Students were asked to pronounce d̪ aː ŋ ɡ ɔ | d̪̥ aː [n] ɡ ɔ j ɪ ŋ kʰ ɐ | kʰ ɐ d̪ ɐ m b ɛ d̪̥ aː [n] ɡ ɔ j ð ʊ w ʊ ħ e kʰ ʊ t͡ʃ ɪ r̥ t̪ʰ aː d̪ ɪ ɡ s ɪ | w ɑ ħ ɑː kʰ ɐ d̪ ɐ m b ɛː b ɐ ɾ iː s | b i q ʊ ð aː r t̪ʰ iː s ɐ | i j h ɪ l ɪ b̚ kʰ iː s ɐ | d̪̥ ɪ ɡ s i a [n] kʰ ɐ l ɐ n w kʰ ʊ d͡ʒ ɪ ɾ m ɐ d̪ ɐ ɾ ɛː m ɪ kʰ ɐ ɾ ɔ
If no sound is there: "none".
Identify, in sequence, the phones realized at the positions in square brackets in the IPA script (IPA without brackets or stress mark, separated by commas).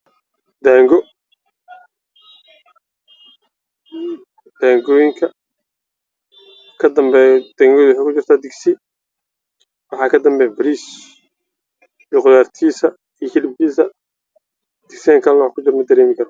ŋ, ŋ, ŋ